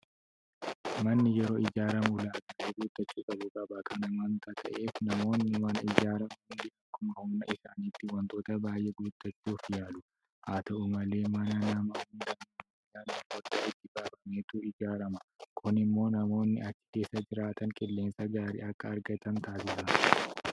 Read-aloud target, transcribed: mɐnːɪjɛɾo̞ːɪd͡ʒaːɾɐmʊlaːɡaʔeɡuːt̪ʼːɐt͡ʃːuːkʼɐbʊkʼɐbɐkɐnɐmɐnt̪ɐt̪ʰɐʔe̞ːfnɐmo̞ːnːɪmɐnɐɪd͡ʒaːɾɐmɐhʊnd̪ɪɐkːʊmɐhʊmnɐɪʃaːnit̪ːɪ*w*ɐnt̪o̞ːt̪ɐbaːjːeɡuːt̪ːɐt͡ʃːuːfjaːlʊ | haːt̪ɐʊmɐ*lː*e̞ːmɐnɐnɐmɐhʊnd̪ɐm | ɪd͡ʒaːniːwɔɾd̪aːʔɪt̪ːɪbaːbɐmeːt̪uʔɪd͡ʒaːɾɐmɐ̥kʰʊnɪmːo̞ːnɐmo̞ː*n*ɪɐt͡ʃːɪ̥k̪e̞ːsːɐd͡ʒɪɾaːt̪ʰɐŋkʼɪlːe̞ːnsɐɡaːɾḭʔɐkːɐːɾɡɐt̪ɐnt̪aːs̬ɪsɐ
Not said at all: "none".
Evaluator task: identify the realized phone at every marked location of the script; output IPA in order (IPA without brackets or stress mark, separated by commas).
w, l, nː